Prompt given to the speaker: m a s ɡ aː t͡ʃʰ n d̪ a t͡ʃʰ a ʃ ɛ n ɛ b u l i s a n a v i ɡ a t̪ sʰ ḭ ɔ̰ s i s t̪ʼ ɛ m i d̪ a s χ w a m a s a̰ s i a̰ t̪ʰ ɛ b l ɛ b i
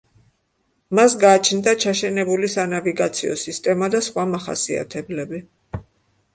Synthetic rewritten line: m a s ɡ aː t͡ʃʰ n d̪ a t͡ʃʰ a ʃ ɛ n ɛ b u l i s a n a v i ɡ a t̪ sʰ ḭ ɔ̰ s i s t̪ʼ ɛ m a d̪ a s χ w a m a χ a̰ s i a̰ t̪ʰ ɛ b l ɛ b i